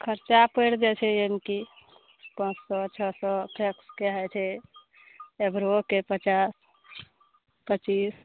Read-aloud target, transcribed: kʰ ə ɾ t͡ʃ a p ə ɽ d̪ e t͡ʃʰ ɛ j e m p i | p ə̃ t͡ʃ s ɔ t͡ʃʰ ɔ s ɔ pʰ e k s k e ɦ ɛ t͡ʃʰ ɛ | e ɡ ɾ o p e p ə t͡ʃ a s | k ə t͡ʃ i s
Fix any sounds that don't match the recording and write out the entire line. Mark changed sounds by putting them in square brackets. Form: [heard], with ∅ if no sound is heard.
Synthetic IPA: kʰ ə ɾ t͡ʃ a p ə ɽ d̪ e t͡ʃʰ ɛ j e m [k] i | p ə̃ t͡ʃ s ɔ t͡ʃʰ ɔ s ɔ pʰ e k s k e ɦ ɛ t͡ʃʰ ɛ | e [b] ɾ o [k] e p ə t͡ʃ a s | [p] ə t͡ʃ i s